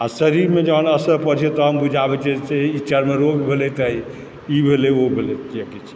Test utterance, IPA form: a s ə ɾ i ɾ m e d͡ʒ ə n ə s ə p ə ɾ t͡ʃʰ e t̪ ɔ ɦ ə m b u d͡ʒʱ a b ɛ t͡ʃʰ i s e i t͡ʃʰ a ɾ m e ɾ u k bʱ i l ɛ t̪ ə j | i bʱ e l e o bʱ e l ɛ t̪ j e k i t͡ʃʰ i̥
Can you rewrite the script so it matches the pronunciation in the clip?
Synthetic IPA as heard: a s ə ɾ i ɾ m e d͡ʒ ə n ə s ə p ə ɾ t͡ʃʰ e t̪ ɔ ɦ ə m b u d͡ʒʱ a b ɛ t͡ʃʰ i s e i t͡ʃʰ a ɾ m e ɾ o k bʱ e l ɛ t̪ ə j | i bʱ e l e o bʱ e l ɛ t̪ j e k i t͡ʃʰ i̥